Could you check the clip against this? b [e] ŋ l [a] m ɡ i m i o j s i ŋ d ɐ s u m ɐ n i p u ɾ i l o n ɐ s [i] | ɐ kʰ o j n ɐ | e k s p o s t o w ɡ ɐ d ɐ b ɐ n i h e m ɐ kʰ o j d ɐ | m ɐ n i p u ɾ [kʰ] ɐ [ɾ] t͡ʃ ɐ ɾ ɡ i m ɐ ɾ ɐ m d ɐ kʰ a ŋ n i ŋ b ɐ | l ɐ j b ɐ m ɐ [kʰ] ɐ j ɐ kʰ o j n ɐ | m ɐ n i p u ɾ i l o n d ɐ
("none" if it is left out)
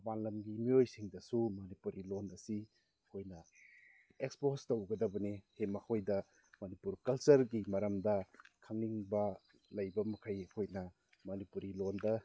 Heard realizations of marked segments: a, ɐ, i, k, l, kʰ

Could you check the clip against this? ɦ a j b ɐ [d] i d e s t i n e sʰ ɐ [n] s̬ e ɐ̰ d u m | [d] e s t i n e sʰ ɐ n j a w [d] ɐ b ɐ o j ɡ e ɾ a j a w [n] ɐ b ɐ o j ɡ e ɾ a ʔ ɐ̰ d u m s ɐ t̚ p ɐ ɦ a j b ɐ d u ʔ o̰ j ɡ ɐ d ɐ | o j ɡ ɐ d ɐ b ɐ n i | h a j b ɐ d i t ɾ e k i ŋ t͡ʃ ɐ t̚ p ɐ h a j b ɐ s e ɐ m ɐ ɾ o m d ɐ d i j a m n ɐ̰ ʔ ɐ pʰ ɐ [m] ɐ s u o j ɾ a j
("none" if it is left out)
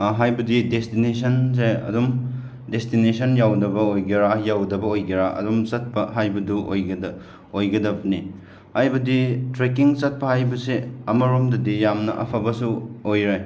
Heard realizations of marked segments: d, n, d, d, d, b

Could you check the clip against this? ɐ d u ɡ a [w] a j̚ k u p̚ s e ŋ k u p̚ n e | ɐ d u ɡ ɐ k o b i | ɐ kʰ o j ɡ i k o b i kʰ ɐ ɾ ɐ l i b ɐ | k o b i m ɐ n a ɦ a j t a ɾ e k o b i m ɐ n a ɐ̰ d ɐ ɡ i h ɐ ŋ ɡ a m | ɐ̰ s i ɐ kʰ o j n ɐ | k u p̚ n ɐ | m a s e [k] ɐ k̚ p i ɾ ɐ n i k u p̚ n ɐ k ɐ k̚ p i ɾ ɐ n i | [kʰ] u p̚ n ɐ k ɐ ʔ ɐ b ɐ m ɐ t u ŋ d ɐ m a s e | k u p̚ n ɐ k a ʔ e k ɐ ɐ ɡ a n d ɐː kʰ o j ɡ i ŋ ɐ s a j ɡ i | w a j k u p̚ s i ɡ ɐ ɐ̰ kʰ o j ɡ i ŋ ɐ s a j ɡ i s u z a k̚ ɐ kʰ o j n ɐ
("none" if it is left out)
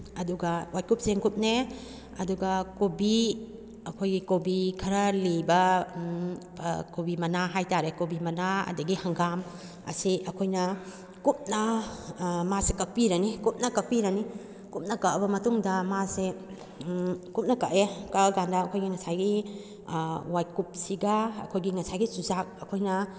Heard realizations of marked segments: w, k, k

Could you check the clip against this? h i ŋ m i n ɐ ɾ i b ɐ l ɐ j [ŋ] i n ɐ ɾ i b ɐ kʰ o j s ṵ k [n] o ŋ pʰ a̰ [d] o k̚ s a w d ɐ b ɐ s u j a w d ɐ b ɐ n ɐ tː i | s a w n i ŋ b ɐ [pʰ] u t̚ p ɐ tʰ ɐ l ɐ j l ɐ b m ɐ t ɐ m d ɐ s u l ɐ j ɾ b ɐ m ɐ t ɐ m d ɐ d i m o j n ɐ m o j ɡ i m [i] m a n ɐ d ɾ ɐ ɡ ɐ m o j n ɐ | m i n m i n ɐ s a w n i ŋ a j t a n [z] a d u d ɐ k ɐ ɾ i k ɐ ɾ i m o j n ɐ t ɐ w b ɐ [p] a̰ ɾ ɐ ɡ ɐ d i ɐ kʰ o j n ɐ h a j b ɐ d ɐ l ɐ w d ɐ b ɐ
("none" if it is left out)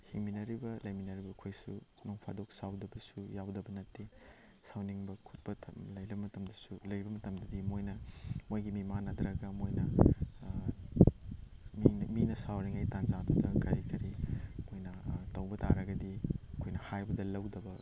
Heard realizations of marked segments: m, n, d, kʰ, i, z, t

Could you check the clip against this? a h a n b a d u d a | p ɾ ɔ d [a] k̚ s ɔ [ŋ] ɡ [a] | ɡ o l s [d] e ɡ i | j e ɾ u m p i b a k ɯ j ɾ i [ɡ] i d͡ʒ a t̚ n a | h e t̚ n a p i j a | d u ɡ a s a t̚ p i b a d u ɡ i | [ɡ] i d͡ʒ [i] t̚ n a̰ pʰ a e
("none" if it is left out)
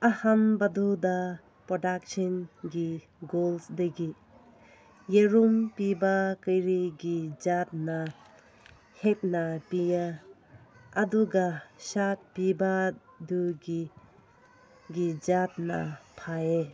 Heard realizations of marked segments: a, n, i, d, ɡ, ɡ, a

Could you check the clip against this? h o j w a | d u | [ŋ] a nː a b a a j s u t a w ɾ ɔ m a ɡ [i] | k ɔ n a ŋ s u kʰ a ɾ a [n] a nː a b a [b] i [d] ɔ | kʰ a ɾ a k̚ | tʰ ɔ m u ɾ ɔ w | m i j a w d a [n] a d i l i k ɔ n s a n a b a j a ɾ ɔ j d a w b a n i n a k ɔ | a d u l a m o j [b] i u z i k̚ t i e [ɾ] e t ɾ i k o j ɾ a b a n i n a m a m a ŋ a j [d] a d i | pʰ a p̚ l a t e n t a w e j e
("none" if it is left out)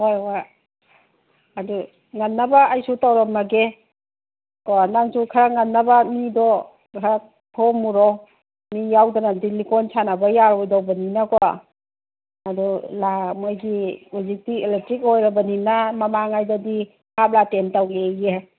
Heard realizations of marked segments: ŋ, e, ŋ, m, d, n, ɡ, l, d

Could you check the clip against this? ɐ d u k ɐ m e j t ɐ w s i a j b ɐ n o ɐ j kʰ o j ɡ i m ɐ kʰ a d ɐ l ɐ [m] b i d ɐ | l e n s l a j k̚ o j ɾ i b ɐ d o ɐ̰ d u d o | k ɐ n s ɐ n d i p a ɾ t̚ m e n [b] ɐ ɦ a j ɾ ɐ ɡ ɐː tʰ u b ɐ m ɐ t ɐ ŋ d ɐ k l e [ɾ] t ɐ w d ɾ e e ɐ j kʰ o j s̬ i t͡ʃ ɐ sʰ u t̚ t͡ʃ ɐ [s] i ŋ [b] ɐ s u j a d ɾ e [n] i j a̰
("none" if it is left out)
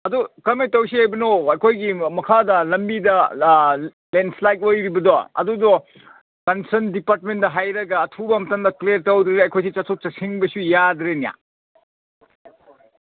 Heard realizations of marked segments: m, d, ɾ, s, b, n

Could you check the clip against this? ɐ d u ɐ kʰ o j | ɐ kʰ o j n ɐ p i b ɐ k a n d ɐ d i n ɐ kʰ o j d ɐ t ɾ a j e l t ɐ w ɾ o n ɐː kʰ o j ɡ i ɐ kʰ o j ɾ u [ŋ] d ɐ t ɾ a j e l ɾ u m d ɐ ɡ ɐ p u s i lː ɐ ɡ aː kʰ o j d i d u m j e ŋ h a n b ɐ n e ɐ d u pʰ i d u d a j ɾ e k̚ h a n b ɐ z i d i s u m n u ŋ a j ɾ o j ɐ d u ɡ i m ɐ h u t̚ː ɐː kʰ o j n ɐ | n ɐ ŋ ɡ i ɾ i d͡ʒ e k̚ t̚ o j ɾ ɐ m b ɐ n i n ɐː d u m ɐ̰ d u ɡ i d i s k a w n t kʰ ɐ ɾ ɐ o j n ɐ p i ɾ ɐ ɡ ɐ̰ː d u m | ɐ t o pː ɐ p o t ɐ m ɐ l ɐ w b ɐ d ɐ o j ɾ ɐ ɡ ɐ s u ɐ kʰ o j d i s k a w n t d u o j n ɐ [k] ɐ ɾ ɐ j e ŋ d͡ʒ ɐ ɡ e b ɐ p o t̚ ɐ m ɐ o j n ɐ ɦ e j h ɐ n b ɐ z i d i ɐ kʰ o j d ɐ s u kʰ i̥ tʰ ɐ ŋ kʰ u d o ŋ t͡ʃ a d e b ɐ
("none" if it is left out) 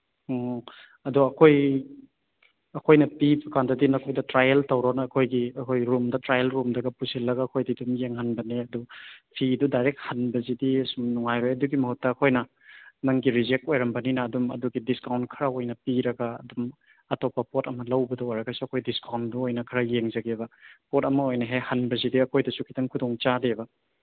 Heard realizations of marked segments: m, kʰ

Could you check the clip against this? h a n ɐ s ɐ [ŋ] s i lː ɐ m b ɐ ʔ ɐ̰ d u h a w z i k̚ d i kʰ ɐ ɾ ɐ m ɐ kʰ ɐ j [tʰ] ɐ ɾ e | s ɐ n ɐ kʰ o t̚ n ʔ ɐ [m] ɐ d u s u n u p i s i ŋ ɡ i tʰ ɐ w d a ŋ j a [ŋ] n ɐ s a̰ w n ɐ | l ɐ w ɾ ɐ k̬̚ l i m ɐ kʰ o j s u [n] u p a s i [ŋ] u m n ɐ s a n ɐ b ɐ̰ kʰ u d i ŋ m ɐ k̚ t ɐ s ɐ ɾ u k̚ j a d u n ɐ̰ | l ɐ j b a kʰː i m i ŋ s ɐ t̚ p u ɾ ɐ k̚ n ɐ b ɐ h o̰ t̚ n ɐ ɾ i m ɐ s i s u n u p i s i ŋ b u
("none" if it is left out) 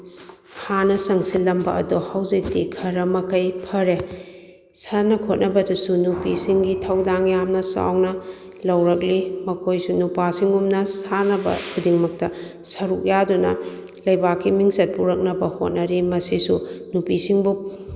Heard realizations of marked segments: ŋ, pʰ, b, m, n, ŋ

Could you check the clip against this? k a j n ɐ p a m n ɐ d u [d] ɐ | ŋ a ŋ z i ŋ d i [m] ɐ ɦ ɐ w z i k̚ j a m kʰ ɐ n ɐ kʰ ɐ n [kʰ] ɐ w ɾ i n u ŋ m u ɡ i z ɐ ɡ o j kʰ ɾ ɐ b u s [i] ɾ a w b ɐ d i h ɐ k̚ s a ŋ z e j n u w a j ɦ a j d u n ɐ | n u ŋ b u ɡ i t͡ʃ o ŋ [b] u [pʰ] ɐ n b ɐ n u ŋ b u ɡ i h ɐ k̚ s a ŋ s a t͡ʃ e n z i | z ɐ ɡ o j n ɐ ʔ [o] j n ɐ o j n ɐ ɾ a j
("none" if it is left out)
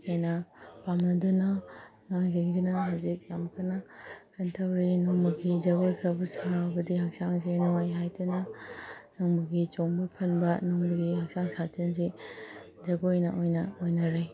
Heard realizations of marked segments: n, n, tʰ, a, b, pʰ, o

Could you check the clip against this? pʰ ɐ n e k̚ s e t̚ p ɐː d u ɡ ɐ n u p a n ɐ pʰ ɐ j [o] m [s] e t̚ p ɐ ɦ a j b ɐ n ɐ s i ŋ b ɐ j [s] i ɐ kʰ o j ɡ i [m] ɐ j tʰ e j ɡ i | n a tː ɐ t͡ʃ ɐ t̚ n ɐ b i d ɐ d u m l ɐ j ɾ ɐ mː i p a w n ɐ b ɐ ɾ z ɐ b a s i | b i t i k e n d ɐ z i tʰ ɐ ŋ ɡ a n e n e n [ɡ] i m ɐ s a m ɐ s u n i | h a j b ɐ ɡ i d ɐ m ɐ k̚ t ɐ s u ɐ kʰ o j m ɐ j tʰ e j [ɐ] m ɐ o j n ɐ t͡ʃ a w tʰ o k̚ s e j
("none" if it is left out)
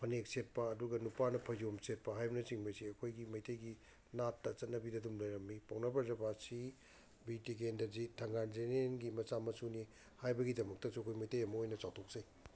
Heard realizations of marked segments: o, s, s, m, ɡ, ɐ

